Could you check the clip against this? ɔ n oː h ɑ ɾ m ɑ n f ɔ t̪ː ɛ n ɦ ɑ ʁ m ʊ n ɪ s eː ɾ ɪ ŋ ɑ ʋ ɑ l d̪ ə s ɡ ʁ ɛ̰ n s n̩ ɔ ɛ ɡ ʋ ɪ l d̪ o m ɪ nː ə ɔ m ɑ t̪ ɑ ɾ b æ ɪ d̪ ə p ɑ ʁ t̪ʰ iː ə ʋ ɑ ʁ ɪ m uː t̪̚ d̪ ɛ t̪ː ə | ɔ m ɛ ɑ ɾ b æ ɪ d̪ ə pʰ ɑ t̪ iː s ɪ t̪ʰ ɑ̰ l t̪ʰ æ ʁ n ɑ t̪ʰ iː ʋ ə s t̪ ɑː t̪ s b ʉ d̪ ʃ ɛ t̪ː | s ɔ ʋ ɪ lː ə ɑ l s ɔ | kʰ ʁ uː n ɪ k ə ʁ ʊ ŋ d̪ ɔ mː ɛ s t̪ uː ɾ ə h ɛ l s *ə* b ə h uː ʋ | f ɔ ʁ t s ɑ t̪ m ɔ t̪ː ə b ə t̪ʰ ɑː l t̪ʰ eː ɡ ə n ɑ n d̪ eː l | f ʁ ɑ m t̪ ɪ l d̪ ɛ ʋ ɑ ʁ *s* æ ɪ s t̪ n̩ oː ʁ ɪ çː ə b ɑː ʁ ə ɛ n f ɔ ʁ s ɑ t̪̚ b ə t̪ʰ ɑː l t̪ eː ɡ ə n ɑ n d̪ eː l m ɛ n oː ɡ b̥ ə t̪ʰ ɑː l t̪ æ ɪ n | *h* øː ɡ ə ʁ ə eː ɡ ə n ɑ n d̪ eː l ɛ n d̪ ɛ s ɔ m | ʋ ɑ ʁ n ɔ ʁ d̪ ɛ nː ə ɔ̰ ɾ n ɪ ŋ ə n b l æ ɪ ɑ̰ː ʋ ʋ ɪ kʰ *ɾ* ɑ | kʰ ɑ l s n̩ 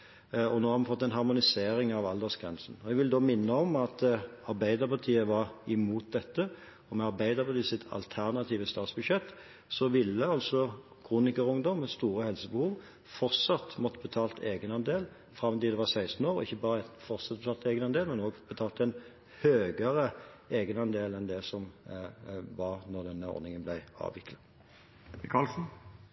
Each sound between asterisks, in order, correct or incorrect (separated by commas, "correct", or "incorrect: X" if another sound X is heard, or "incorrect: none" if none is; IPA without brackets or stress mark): correct, correct, correct, incorrect: l